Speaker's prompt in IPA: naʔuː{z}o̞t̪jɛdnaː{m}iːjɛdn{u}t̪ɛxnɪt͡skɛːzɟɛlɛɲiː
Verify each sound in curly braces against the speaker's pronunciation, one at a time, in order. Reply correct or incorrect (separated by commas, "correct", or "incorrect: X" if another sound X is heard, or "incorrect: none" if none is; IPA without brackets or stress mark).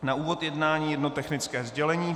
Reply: incorrect: v, incorrect: ɲ, incorrect: o